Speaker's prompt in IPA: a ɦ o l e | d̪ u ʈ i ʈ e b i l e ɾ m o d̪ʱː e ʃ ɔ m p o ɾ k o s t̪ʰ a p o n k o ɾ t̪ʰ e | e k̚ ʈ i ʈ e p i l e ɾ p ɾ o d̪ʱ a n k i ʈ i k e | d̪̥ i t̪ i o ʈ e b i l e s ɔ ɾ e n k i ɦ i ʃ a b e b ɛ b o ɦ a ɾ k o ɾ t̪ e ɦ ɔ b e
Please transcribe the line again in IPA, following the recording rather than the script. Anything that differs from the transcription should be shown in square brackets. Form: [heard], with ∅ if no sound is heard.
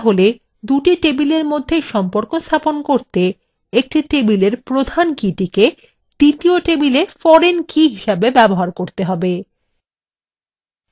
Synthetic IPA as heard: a ɦ o l e | d̪ u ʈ i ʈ e b i l e ɾ m o d̪ʱː e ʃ ɔ m p o ɾ k o s t̪ʰ a p o n k o ɾ [t̪] e | e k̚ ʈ i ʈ e [b] i l e ɾ p ɾ o d̪ʱ a n k i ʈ i k e | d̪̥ i t̪ i o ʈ e b i l e [f] ɔ ɾ e n k i ɦ i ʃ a b e b ɛ b o ɦ a ɾ k o ɾ t̪ e ɦ ɔ b e

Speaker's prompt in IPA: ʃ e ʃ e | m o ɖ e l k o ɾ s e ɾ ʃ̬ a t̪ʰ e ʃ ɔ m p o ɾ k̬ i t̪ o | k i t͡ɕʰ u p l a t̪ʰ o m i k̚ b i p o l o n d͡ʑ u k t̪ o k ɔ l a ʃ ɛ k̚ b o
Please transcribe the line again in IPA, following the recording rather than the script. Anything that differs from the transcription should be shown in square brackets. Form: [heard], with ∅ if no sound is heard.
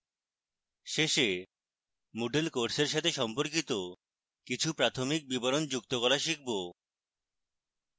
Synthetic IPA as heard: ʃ e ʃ e | m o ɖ e l k o ɾ s e ɾ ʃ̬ a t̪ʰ e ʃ ɔ m p o ɾ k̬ i t̪ o | k i t͡ɕʰ u p [ɾ] a t̪ʰ o m i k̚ b i [b] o [ɾ] o n d͡ʑ u k t̪ o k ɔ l a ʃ [i] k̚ b o

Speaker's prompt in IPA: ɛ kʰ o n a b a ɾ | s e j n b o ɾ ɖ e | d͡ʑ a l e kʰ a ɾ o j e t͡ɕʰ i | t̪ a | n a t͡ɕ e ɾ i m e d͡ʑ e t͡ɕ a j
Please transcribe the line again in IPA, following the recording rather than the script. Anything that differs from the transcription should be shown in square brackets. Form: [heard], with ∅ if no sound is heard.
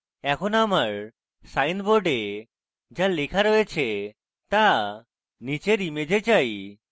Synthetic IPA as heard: ɛ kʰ o n a [m] a ɾ | s [a] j n b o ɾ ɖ e | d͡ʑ a l e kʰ a ɾ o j e t͡ɕʰ [e] | t̪ a | n [i] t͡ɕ e ɾ i m e d͡ʑ e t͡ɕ a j

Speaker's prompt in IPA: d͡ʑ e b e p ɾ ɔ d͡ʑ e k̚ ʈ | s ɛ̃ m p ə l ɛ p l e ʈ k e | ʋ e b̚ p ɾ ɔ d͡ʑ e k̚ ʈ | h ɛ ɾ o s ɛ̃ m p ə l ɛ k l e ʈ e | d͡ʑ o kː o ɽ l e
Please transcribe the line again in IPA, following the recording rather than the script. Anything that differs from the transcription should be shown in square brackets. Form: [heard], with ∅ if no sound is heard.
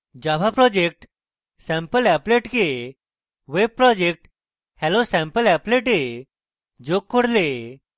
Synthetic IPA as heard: d͡ʑ [a] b [a] p ɾ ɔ d͡ʑ e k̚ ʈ | s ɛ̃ m p ə l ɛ p l e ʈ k e | ʋ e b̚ p ɾ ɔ d͡ʑ e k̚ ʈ | h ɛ [l] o s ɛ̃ m p ə l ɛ [p] l e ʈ e | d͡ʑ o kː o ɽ l e

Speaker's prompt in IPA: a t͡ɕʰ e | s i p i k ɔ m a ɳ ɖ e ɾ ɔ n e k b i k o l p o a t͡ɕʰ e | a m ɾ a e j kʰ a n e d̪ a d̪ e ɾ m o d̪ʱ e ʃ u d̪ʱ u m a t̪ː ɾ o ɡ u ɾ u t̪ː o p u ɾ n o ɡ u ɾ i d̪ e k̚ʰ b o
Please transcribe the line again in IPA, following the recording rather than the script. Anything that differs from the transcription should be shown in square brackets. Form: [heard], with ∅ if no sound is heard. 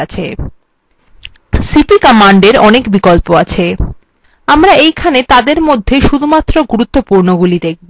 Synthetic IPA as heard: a t͡ɕʰ e | s i p i k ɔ m a ɳ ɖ e ɾ ɔ n e k b i k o l p o a t͡ɕʰ e | a m ɾ a e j kʰ a n e [t̪] a d̪ e ɾ m o [d̪ʱː] e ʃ u d̪ʱ u m a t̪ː ɾ o ɡ u ɾ u t̪ː o p u ɾ n o ɡ u [l] i d̪ e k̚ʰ b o

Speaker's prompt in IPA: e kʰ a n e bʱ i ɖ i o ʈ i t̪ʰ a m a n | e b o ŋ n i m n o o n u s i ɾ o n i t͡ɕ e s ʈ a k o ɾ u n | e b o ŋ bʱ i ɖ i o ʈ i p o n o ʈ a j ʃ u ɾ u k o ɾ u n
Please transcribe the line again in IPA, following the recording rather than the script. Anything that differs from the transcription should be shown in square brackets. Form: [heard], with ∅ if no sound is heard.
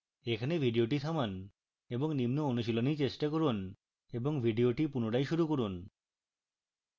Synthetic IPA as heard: e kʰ a n e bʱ i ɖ i o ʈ i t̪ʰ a m a n | e b o ŋ n i m n o o n u [ʃ] i [l] o n i t͡ɕ e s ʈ a k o ɾ u n | e b o ŋ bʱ i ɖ i o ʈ i p [u] n o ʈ a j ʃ u ɾ u k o ɾ u n

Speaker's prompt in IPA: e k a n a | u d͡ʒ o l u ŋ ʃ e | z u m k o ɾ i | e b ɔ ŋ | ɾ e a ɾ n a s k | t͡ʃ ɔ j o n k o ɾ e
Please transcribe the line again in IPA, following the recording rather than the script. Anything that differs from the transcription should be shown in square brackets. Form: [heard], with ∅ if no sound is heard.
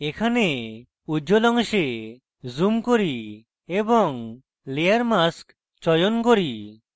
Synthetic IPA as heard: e [kʰ] a n [e] | u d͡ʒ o l [ɔ] ŋ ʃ e | z u m k o ɾ i | e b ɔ ŋ | [l] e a ɾ [m] a s k | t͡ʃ ɔ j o n k o ɾ [i]

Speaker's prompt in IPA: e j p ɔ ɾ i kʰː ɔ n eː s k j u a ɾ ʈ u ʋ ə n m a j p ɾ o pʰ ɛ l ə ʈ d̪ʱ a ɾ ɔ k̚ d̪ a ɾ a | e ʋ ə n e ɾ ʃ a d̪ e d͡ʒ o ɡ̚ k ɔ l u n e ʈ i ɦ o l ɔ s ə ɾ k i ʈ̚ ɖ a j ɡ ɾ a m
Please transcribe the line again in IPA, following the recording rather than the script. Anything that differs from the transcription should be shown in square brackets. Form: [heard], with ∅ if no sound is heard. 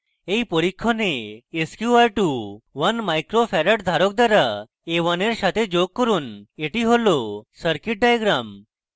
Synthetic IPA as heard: e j p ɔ ɾ i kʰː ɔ n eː s k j u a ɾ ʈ u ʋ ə n m a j [k] ɾ o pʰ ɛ [ɾ] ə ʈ d̪ʱ a ɾ ɔ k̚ d̪ a ɾ a | e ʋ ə n e ɾ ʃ a [t̪] e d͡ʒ o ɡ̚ k ɔ [ɾ] u n e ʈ i ɦ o l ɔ s ə ɾ k i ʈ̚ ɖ a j ɡ ɾ a m

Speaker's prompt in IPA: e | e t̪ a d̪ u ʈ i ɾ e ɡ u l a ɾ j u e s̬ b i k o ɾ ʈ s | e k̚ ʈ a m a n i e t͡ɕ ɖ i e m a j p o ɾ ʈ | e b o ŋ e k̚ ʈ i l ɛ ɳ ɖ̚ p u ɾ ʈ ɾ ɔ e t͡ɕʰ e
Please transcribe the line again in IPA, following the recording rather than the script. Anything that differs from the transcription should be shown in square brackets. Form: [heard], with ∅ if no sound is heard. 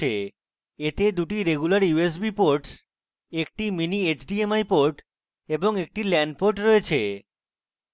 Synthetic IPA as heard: e | e t̪ [e] d̪ u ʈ i ɾ e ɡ u l a ɾ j u e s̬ b i [p] o ɾ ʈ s | e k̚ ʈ [i] m [i] n i e t͡ɕ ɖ i e m a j p o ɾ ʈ | e b o ŋ e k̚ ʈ i l ɛ ɳ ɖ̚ p [o] ɾ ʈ ɾ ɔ e t͡ɕʰ e

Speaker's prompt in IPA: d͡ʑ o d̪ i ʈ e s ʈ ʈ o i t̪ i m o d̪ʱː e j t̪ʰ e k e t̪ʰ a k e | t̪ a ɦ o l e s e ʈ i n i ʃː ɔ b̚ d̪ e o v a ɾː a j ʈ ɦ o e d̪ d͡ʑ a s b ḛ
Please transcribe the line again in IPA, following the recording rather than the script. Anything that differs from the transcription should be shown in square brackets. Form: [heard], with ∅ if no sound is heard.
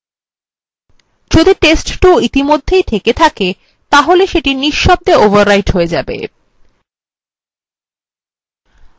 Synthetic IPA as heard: d͡ʑ o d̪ i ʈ e s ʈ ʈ o i t̪ i m o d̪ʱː e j t̪ʰ e k e t̪ʰ a k e | t̪ a ɦ o l e [ʃ] e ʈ i n i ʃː ɔ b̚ d̪ e o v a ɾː a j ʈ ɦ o e [∅] d͡ʑ a [∅] b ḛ

